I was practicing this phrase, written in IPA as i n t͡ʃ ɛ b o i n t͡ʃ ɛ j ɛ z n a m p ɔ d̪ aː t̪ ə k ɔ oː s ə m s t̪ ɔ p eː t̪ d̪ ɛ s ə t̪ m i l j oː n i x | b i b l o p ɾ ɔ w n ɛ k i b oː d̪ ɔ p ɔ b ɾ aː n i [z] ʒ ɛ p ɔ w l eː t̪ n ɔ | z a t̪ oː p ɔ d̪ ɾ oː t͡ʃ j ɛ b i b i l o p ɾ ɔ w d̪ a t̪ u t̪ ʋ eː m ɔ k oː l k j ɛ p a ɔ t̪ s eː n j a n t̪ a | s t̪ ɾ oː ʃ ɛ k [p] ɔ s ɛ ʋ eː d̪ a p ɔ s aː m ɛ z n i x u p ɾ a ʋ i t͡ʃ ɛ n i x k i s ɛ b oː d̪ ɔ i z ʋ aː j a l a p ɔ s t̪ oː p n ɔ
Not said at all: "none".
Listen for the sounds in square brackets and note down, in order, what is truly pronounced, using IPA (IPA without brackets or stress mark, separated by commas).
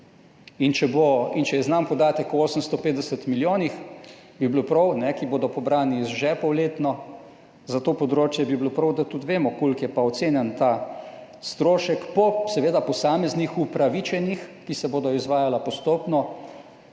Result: z, p